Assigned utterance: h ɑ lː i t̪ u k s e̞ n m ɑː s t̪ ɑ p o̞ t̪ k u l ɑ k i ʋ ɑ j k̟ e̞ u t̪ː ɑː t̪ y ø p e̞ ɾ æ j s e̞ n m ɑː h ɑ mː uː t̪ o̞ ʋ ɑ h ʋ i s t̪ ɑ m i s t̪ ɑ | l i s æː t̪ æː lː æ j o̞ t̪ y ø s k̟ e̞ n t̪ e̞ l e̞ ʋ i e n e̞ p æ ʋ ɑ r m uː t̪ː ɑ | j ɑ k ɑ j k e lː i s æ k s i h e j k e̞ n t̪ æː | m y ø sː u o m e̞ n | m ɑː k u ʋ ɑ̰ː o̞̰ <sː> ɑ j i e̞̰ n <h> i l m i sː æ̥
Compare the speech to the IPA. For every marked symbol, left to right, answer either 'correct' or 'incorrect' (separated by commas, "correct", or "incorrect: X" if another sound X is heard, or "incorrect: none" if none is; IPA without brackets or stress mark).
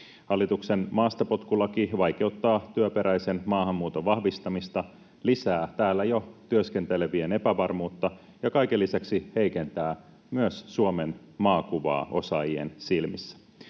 incorrect: s, incorrect: s